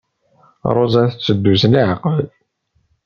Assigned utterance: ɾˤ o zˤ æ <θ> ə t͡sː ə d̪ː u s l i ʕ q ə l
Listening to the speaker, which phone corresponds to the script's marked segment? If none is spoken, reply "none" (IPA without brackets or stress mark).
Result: θ